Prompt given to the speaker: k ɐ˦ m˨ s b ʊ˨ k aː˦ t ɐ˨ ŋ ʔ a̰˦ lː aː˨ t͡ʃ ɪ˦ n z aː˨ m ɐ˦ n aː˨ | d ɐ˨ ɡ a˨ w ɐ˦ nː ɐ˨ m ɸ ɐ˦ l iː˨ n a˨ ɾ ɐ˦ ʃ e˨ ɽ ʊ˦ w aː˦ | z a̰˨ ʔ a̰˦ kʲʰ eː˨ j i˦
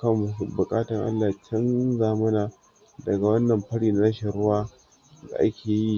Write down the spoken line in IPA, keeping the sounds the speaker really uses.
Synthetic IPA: k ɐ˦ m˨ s b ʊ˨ kʼ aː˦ t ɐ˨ ŋ ʔ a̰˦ lː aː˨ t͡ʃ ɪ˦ n z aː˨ m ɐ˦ n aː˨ | d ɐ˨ ɡ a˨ w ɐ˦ nː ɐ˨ m ɸ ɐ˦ ɽ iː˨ n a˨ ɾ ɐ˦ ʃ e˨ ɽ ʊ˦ w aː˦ | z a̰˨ ʔ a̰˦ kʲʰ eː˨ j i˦